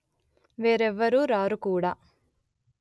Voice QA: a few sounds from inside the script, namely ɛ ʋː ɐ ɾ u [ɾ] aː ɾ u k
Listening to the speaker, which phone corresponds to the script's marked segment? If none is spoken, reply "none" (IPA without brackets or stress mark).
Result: ɾ